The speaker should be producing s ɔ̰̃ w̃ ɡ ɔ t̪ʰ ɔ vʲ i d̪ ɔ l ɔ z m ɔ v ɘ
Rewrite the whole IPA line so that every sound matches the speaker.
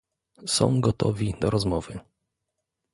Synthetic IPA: s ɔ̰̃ w̃ ɡ ɔ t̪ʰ ɔ vʲ i d̪ ɔ ɾ ɔ z m ɔ v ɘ

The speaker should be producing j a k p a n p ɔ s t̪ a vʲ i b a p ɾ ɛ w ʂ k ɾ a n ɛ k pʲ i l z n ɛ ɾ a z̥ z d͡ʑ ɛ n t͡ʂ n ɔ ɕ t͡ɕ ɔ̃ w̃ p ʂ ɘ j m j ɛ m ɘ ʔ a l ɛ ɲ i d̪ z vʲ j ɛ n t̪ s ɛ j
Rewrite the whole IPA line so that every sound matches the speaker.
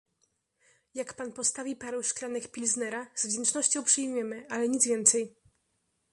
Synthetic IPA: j a k p a n p ɔ s t̪ a vʲ i p a ɾ ɛ w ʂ k l a n ɛ k pʲ i l z n ɛ ɾ a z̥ v d͡ʑ ɛ n t͡ʂ n ɔ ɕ t͡ɕ ɔ̃ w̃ p ʂ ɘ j m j ɛ m ɘ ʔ a l ɛ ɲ i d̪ z vʲ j ɛ n t̪ s ɛ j

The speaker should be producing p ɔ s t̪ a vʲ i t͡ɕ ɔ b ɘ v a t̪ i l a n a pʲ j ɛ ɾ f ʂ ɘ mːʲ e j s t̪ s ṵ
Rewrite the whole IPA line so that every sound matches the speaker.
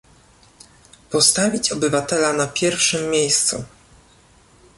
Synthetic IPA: p ɔ s t̪ a vʲ i t͡ɕ ɔ b ɘ v a t̪ ɛ l a n a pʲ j ɛ ɾ f ʂ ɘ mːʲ e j s t̪ s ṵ

